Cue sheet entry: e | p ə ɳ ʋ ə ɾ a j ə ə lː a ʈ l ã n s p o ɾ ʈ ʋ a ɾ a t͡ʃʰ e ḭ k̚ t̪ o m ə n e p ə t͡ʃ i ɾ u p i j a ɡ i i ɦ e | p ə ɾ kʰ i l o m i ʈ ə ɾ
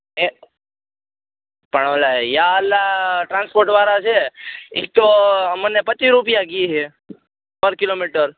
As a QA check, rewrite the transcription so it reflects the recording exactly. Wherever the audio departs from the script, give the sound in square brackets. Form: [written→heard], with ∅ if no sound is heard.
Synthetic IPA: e | p ə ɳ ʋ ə [ɾ→l] a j [ə→a] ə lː a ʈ [l→ɾ] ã n s p o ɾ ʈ ʋ a ɾ a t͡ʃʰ e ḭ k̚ t̪ o m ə n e p ə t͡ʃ i ɾ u p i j a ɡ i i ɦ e | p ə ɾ [kʰ→k] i l o m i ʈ ə ɾ